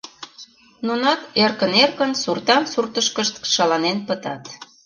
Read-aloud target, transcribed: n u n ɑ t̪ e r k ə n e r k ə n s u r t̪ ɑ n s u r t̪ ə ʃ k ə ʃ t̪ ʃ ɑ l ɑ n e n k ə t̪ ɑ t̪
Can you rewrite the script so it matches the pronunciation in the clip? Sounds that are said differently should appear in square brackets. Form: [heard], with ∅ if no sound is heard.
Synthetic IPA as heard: n u n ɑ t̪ e r k ə n e r k ə n s u r t̪ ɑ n s u r t̪ ə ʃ k ə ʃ t̪ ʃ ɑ l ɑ n e n [p] ə t̪ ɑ t̪